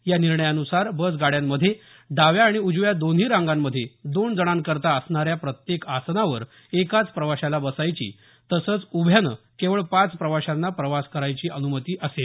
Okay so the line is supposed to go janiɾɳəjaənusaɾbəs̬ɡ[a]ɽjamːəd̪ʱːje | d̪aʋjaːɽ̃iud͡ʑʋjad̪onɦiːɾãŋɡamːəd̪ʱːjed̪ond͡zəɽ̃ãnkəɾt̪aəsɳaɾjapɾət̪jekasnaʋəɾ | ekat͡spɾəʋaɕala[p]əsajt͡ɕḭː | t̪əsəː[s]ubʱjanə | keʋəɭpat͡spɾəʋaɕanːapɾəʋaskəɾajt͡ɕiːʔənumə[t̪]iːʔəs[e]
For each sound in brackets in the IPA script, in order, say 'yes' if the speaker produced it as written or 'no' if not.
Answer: yes, no, no, yes, yes

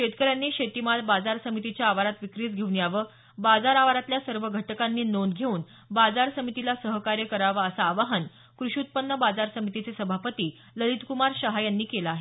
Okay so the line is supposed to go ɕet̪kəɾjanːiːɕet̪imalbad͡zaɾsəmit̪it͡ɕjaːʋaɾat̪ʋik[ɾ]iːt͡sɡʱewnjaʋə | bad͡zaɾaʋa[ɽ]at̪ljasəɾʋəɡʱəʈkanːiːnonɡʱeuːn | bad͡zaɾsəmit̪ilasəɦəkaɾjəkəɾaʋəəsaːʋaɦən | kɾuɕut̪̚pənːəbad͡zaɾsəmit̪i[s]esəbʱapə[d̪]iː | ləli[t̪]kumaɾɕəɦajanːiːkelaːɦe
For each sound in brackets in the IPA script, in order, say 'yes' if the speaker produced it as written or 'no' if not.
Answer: yes, no, no, no, yes

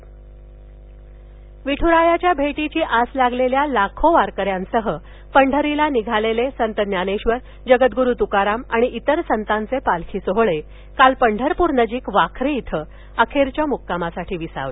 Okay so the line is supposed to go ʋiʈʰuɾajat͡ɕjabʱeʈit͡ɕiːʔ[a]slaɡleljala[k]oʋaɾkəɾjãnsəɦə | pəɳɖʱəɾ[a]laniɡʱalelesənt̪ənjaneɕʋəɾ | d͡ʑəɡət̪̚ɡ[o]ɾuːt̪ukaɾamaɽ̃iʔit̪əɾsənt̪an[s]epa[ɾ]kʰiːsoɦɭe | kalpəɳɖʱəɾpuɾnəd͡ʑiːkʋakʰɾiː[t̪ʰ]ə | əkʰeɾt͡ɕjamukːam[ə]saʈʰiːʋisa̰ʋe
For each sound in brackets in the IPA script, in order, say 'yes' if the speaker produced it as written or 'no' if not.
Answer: yes, no, no, no, no, no, yes, no

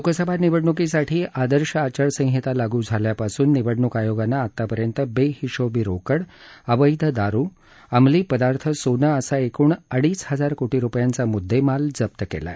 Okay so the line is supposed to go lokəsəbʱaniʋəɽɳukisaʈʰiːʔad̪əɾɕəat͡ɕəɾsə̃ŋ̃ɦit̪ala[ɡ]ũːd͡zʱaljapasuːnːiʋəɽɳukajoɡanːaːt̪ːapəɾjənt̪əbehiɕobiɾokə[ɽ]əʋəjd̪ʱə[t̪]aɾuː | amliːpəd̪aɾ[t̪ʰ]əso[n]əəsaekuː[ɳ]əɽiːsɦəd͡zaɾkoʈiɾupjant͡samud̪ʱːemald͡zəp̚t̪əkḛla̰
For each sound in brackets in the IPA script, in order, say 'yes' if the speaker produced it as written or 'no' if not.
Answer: yes, yes, no, yes, yes, yes

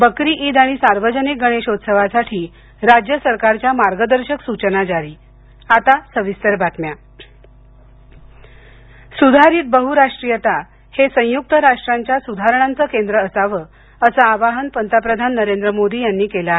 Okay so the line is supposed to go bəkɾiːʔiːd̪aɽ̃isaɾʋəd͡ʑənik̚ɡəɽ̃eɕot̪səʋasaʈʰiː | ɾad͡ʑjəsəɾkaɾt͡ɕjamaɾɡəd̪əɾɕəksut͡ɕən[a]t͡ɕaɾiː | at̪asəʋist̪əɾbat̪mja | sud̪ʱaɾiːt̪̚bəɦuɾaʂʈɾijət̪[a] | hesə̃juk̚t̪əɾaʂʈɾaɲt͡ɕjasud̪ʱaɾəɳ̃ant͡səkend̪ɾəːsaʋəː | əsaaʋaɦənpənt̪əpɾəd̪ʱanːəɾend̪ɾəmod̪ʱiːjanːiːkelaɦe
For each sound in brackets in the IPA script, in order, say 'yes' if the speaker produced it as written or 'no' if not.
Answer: yes, yes

